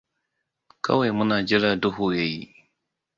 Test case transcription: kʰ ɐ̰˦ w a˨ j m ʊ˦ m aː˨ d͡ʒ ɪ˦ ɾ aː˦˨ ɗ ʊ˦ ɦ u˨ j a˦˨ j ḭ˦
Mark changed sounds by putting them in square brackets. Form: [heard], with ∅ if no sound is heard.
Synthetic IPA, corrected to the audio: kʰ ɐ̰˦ w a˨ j m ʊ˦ [n] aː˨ d͡ʒ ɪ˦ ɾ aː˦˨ [d] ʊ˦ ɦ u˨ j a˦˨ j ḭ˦